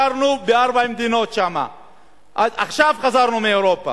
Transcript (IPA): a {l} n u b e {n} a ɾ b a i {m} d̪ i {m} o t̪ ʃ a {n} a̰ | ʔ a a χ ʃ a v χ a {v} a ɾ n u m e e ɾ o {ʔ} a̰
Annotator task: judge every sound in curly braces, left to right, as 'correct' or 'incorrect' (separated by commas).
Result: incorrect, incorrect, correct, incorrect, incorrect, incorrect, incorrect